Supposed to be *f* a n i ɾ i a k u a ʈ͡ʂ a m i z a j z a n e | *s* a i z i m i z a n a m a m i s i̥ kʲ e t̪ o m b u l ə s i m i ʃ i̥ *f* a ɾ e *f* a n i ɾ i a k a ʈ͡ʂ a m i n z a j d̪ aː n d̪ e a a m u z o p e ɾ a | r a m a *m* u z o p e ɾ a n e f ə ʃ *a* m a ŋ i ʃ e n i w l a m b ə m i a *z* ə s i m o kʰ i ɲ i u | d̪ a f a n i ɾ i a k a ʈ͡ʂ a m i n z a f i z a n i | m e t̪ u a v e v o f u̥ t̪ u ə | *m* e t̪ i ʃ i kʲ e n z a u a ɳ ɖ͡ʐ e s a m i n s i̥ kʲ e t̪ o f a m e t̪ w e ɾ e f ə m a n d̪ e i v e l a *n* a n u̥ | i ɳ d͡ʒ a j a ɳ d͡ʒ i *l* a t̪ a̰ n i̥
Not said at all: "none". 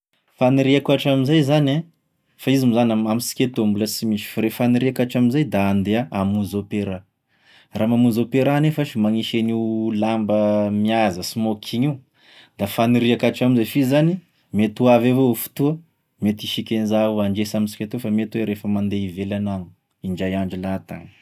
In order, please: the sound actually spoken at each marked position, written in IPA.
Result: f, f, f, f, m, i, z, m, n, l

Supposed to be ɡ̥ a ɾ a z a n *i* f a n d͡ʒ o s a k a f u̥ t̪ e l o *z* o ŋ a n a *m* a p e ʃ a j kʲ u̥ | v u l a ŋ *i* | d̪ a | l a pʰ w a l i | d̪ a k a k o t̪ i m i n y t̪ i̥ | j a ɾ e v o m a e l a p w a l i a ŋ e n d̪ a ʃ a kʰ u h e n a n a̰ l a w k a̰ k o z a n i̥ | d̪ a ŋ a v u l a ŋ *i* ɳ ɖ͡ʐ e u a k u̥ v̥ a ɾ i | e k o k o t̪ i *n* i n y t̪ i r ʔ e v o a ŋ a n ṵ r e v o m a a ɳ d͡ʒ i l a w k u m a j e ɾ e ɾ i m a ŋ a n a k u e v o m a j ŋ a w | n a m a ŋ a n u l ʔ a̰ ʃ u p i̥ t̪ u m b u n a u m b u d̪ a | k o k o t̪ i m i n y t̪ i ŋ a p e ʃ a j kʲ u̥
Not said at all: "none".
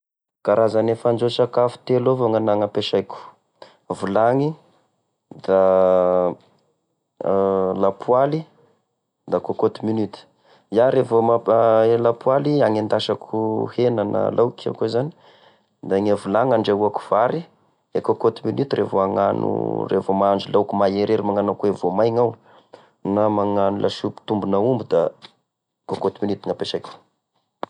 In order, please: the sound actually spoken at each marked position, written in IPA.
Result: e, v, ŋ, i, a, m

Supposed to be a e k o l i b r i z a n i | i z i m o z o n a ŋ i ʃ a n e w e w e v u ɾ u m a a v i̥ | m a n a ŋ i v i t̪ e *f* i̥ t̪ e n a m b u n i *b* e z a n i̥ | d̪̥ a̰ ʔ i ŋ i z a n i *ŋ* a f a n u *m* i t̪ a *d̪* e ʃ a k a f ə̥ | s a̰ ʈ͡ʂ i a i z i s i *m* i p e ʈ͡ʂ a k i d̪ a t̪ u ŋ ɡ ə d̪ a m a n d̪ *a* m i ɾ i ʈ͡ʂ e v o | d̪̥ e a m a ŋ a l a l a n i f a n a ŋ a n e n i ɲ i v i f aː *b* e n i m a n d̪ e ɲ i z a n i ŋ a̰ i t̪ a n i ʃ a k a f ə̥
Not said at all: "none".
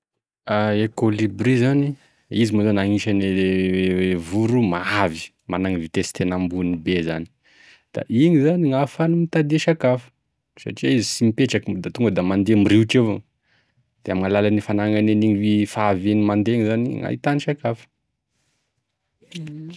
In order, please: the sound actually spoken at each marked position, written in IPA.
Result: s, b, ŋ, m, d̪, m, e, v

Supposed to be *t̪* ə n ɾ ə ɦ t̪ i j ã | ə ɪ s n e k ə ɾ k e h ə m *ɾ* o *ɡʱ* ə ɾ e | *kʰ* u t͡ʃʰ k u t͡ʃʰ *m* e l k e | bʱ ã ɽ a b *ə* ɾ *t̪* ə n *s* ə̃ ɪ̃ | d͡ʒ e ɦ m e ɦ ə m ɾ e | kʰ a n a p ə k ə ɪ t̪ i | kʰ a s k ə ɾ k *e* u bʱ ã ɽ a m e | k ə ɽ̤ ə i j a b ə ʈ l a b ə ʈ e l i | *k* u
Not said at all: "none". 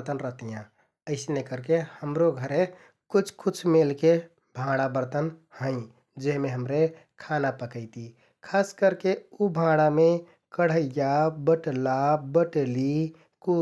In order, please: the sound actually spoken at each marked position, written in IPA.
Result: t̪, ɾ, ɡʱ, k, m, ə, t̪, h, e, k

